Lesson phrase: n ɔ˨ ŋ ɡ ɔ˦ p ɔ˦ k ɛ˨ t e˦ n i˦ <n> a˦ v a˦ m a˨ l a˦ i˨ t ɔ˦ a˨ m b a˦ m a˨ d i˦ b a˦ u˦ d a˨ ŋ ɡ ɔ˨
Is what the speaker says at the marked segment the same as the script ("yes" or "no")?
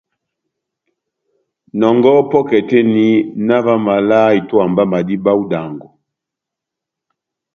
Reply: yes